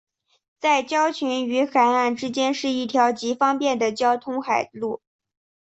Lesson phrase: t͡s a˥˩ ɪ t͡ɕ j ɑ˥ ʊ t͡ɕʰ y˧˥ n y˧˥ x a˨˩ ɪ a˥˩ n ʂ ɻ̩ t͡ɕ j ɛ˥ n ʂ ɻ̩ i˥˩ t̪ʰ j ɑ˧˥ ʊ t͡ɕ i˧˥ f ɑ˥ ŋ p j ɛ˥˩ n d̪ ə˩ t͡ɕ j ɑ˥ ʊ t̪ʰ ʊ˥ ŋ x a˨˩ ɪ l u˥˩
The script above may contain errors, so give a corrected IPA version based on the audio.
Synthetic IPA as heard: t͡s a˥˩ ɪ t͡ɕ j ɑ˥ ʊ t͡ɕʰ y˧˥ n y˧˥ x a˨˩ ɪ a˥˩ n ʈ͡ʂ ɻ̩ t͡ɕ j ɛ˥ n ʂ ɻ̩ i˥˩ t̪ʰ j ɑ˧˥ ʊ t͡ɕ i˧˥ f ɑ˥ ŋ p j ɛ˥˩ n d̪ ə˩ t͡ɕ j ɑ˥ ʊ t̪ʰ ʊ˥ ŋ x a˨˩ ɪ l u˥˩